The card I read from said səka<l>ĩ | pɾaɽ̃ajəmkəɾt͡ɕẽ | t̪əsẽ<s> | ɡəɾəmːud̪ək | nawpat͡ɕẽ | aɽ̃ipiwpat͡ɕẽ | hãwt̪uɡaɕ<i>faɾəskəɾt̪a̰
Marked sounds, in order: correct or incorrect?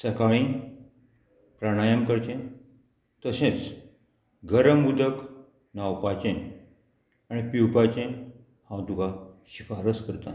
incorrect, incorrect, correct

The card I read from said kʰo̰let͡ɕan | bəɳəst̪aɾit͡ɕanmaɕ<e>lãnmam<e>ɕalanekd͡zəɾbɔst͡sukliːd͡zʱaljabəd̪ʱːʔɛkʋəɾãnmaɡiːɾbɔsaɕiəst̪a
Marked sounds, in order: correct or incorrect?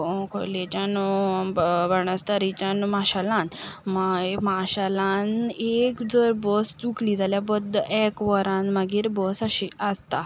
incorrect, incorrect

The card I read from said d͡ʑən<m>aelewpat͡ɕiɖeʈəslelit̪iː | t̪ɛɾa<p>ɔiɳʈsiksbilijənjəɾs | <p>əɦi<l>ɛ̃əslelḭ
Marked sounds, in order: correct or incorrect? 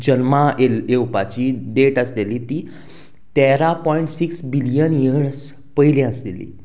correct, correct, correct, correct

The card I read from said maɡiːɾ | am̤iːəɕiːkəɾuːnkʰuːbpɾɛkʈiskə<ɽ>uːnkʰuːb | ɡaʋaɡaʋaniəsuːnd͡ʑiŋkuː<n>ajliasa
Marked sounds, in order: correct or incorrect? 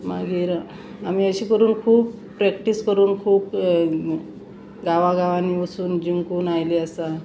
incorrect, correct

